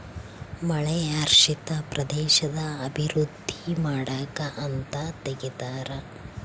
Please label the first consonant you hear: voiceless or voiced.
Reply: voiced